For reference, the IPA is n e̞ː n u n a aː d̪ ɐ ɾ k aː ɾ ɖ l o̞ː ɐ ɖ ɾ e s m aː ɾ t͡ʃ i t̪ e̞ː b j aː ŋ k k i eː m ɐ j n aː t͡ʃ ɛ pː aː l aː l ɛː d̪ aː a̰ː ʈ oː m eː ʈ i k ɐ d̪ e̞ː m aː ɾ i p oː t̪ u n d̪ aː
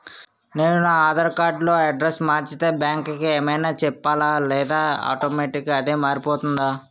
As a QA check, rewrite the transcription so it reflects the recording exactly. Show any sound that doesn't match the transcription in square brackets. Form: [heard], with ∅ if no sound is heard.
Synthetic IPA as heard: n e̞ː n u n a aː d̪ ɐ ɾ k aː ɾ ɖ l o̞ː ɐ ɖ ɾ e s m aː ɾ t͡ʃ i t̪ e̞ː b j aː ŋ k k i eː m ɐ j n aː t͡ʃ ɛ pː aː l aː l ɛː d̪ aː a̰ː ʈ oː m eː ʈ i k ɐ d̪ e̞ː m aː ɾ i p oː t̪ u n d̪ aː